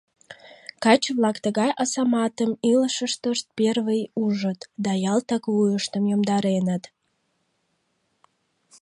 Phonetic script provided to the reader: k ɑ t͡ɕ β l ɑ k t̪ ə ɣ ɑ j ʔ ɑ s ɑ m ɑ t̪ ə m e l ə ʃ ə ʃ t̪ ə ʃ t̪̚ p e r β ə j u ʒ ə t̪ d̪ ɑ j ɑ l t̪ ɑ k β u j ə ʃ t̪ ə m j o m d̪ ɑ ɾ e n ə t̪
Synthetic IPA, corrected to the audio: k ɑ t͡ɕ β l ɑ k t̪ ə ɣ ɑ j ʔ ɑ s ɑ m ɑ t̪ ə m i l ə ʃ ə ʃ t̪ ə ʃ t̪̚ p e r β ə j u ʒ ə t̪ d̪ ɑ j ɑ l t̪ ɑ k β u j ə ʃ t̪ ə m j o m d̪ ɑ ɾ e n ə t̪